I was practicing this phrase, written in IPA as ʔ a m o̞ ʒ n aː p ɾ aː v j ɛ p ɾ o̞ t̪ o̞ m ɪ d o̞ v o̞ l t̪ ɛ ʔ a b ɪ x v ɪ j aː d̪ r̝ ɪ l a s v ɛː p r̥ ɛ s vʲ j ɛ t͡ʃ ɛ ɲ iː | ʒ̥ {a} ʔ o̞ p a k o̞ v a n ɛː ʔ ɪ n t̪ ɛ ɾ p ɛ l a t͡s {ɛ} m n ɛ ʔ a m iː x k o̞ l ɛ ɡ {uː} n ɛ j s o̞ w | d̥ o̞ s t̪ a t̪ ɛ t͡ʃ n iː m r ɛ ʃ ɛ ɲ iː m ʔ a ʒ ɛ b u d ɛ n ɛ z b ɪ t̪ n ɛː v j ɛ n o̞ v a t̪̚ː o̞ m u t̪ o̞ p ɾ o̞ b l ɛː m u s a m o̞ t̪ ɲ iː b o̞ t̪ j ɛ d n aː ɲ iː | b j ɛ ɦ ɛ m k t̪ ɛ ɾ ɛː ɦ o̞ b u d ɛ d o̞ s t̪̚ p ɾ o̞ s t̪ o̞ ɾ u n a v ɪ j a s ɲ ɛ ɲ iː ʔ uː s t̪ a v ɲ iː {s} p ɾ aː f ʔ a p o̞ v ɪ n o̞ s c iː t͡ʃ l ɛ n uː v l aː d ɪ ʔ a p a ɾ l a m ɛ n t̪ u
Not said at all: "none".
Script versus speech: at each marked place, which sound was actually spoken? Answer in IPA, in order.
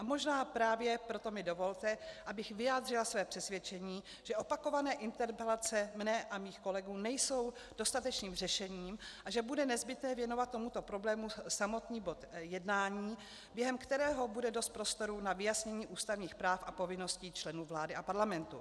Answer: ɛ, ɛ, uː, x

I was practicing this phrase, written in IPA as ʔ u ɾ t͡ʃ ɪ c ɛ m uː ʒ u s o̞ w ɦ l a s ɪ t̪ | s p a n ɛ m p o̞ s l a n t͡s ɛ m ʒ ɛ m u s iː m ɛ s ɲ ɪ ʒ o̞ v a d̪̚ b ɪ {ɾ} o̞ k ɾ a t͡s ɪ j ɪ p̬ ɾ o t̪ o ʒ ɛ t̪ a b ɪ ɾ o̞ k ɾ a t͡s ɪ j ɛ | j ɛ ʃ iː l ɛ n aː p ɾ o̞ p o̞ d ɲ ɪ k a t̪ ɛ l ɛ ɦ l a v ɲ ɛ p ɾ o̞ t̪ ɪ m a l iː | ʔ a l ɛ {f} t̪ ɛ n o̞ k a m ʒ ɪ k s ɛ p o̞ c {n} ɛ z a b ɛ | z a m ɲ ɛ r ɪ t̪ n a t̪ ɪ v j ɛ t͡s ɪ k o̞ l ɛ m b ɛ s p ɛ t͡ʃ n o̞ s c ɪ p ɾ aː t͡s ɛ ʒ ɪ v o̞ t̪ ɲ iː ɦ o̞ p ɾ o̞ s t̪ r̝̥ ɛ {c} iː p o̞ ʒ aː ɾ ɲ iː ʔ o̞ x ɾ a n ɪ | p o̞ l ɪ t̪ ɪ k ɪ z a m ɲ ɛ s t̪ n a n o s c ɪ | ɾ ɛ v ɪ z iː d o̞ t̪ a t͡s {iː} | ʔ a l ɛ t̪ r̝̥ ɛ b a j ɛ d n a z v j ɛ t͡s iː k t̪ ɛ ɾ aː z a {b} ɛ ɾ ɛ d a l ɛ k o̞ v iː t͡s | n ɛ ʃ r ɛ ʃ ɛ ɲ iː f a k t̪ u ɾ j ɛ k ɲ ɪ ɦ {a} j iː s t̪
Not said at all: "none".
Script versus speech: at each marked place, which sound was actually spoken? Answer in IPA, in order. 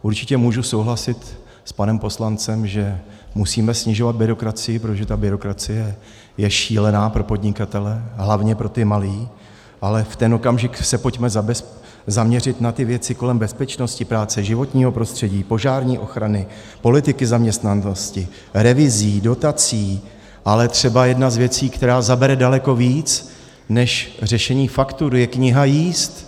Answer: ɾ, f, m, ɟ, iː, b, a

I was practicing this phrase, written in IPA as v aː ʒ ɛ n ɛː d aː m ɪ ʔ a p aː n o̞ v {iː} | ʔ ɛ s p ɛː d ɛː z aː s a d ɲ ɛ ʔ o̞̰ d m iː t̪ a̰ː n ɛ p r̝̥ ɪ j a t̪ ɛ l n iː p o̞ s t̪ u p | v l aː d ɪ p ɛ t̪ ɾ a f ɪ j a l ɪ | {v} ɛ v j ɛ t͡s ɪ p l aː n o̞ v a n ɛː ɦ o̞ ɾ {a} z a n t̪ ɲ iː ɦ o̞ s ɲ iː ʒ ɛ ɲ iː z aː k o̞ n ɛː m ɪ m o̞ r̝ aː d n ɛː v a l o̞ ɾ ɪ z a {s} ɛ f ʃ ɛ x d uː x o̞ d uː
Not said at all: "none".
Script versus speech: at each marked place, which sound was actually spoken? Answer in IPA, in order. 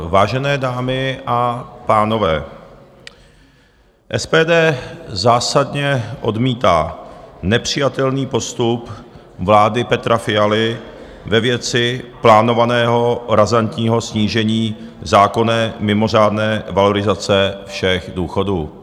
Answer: ɛː, v, a, t͡s

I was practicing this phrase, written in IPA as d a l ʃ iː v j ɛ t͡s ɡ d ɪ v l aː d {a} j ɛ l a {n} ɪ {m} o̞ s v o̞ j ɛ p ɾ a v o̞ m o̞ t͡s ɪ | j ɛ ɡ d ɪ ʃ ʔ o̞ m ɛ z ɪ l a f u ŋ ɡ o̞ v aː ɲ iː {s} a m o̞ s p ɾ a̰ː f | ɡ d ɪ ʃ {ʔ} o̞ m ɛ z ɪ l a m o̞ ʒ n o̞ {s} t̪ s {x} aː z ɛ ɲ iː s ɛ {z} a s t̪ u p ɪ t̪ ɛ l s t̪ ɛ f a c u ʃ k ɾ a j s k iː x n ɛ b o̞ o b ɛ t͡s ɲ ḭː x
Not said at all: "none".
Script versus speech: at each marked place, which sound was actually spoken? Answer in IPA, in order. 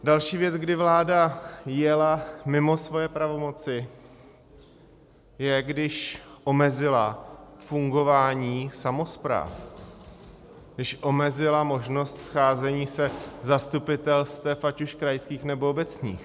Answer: a, m, m, s, ʔ, s, x, z

